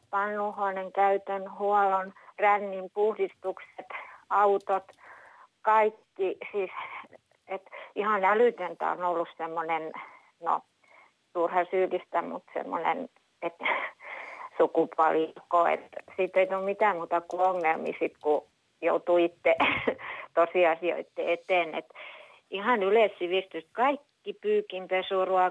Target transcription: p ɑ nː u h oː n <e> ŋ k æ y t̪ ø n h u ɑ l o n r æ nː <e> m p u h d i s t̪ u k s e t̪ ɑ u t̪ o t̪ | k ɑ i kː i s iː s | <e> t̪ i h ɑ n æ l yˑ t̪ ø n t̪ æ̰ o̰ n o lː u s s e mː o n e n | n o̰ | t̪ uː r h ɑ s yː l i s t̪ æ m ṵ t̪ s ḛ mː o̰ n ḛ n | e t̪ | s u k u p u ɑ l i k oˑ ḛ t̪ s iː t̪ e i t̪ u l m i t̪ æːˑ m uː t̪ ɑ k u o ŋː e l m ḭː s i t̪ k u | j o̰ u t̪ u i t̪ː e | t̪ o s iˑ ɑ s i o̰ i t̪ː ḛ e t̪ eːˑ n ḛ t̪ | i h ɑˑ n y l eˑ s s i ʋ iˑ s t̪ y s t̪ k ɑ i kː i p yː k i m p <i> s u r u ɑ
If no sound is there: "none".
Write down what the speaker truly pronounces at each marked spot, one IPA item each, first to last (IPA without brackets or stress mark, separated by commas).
e, i, e, e